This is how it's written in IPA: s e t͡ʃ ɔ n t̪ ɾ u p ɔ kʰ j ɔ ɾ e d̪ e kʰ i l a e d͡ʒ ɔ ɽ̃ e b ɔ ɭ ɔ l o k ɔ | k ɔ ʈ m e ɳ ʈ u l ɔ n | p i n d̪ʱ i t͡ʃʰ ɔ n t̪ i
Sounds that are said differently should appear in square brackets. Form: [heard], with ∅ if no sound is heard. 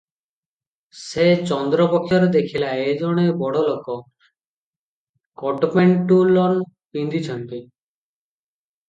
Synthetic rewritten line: s e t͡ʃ ɔ n [d̪] ɾ [ɔ] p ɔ kʰ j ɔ ɾ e d̪ e kʰ i l a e d͡ʒ ɔ ɽ̃ e b ɔ [ɽ] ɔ l o k ɔ | k ɔ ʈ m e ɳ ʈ u l ɔ n | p i n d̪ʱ i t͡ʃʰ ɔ n t̪ i

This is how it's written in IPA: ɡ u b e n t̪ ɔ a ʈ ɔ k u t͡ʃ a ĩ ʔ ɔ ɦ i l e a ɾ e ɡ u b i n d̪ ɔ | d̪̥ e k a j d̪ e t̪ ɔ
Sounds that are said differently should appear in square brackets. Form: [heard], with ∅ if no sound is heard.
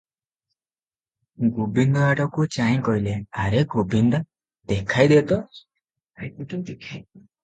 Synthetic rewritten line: ɡ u b [i] n [d̪] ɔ a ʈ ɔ k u t͡ʃ a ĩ [k] ɔ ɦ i l e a ɾ e ɡ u b i n d̪ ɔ | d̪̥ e [kʰ] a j d̪ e t̪ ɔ

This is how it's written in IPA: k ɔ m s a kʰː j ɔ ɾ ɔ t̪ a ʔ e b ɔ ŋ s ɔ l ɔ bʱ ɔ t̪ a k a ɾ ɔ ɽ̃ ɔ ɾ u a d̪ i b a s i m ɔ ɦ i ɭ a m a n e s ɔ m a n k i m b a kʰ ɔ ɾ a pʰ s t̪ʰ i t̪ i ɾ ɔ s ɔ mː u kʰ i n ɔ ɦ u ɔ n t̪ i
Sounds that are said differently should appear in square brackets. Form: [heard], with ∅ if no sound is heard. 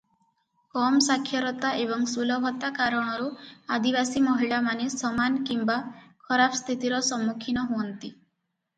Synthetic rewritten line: k ɔ m s a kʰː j ɔ ɾ ɔ t̪ a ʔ e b ɔ ŋ s [u] l ɔ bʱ ɔ t̪ a k a ɾ ɔ ɽ̃ ɔ ɾ u a d̪ i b a s i m ɔ ɦ i ɭ a m a n e s ɔ m a n k i m b a kʰ ɔ ɾ a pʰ s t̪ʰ i t̪ i ɾ ɔ s ɔ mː u kʰ i n ɔ ɦ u ɔ n t̪ i

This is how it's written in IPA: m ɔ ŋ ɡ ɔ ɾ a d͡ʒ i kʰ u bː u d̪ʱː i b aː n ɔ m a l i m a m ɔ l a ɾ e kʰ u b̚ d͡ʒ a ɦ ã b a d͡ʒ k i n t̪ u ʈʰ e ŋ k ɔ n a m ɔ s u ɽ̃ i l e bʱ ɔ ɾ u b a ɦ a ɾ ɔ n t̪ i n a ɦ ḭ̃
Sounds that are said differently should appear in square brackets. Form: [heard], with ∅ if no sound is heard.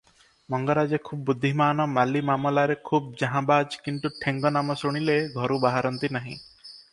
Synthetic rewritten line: m ɔ ŋ ɡ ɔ ɾ a d͡ʒ [e] kʰ u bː u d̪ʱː i [m] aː n ɔ m a l i m a m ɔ l a ɾ e kʰ u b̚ d͡ʒ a ɦ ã b a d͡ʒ k i n t̪ u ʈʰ e ŋ [ɡ] ɔ n a m ɔ s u ɽ̃ i l e [ɡʱ] ɔ ɾ u b a ɦ a ɾ ɔ n t̪ i n a ɦ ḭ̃

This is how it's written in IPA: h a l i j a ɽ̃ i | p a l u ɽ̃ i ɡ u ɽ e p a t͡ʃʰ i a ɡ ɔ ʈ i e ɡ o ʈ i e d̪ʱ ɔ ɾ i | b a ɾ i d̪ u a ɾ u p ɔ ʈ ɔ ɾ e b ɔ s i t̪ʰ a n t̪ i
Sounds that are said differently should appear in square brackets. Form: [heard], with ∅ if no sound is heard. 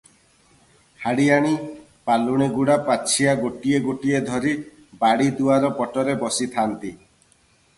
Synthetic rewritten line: h a [ɽ] i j a ɽ̃ i | p a l u ɽ̃ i ɡ u ɽ [a] p a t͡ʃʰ i a ɡ [o] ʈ i e ɡ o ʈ i e d̪ʱ ɔ ɾ i | b a [ɽ] i d̪ u a ɾ [ɔ] p ɔ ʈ ɔ ɾ e b ɔ s i t̪ʰ a n t̪ i

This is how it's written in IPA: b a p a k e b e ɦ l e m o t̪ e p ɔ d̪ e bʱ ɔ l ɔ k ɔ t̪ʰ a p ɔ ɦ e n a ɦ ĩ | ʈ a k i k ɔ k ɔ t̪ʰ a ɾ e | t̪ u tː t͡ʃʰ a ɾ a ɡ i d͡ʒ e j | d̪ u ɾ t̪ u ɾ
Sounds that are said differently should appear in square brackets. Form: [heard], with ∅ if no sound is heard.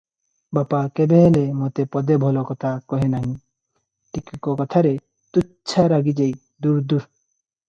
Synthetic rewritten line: b a p a k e b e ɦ l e m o t̪ e p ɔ d̪ e bʱ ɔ l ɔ k ɔ t̪ʰ a [k] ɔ ɦ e n a ɦ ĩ | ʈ [i] k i k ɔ k ɔ t̪ʰ a ɾ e | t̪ u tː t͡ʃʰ a ɾ a ɡ i d͡ʒ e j | d̪ u ɾ [d̪] u ɾ

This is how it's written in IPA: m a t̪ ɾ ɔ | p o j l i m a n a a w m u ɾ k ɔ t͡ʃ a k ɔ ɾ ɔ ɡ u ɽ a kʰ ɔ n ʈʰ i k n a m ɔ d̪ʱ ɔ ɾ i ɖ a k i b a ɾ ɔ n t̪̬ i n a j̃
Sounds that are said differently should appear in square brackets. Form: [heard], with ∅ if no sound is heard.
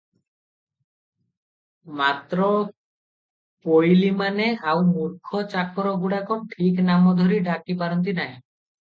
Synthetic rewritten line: m a t̪ ɾ ɔ | p o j l i m a n [e] a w m u ɾ [kʰ] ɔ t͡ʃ a k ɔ ɾ ɔ ɡ u ɽ a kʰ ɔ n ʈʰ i k n a m ɔ d̪ʱ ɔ ɾ i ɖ a k i [p] a ɾ ɔ n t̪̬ i n a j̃

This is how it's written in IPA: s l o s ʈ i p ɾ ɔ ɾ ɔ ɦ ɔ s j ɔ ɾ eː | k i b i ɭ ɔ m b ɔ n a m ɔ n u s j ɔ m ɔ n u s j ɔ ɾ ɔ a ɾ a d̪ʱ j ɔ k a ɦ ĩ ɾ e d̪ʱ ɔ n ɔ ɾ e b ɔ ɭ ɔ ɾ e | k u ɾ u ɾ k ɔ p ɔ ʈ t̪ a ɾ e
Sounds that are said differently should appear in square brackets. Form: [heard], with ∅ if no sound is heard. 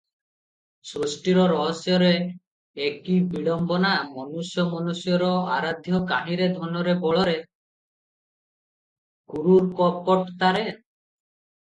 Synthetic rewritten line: s [ɾ] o s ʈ i [∅] ɾ ɔ ɾ ɔ ɦ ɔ s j ɔ ɾ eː | k i b i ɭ ɔ m b ɔ n a m ɔ n u s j ɔ m ɔ n u s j ɔ ɾ ɔ a ɾ a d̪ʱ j ɔ k a ɦ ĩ ɾ e d̪ʱ ɔ n ɔ ɾ e b ɔ ɭ ɔ ɾ e | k u ɾ u ɾ k ɔ p ɔ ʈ t̪ a ɾ e

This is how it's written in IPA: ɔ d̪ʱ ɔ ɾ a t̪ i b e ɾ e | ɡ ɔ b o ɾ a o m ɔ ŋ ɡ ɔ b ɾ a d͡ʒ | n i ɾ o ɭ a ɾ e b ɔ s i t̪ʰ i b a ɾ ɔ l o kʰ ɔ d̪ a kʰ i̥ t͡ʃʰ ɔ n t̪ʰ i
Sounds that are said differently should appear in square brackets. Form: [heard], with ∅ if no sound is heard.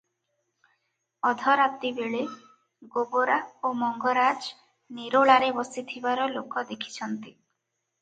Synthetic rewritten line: ɔ d̪ʱ ɔ ɾ a t̪ i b e [ɭ] e | ɡ [o] b o ɾ a o m ɔ ŋ ɡ ɔ [∅] ɾ a d͡ʒ | n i ɾ o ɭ a ɾ e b ɔ s i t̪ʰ i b a ɾ ɔ l o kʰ ɔ d̪ [e] kʰ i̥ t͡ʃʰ ɔ n [t̪] i

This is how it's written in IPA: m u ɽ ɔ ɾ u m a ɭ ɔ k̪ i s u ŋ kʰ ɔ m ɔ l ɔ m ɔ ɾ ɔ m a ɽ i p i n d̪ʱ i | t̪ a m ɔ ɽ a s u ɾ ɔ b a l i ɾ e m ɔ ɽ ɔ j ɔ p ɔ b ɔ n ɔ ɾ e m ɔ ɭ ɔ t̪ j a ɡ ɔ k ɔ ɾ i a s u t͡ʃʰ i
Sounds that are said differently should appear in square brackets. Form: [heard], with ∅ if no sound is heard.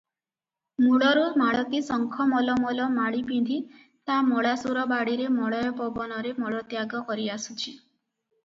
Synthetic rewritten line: m u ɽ ɔ ɾ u m a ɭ ɔ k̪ i s [ɔ] ŋ kʰ ɔ m ɔ l ɔ m ɔ [l] ɔ m a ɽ i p i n d̪ʱ i | t̪ a m ɔ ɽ a s u ɾ ɔ b a [ɽ] i ɾ e m ɔ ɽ ɔ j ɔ p ɔ b ɔ n ɔ ɾ e m ɔ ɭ ɔ t̪ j a ɡ ɔ k ɔ ɾ i a s u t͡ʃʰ i

